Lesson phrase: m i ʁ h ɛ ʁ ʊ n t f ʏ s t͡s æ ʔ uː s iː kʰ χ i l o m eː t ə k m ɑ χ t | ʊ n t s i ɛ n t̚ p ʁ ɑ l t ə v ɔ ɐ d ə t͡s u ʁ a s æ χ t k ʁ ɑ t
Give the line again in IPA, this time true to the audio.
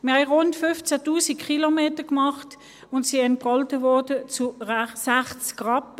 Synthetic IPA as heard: m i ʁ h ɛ ʁ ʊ n t f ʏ f t͡s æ t uː s i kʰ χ i l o m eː t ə k m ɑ χ t | ʊ n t s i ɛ n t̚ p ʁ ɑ l t ə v ɔ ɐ d ə t͡s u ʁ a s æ χ t͡s k ʁ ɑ p